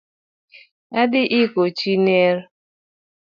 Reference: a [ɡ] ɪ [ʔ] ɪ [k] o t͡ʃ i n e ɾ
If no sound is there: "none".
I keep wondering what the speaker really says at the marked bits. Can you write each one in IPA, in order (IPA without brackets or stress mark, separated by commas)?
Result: d, ʔ, k